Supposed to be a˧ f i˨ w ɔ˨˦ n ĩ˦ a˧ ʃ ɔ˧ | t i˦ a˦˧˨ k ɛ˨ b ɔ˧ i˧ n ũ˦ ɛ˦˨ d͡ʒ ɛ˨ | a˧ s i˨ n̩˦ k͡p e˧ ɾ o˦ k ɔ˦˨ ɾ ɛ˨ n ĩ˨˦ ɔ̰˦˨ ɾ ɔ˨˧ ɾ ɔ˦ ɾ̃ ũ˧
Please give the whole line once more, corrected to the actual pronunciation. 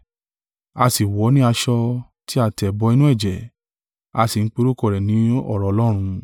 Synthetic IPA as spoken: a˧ s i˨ w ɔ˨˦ n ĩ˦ a˧ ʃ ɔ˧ | t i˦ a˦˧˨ t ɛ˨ b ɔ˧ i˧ n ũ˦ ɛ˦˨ d͡ʒ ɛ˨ | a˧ s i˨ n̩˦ k͡p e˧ ɾ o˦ k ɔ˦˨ ɾ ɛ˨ n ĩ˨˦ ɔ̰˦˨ ɾ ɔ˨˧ l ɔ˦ ɾ̃ ũ˧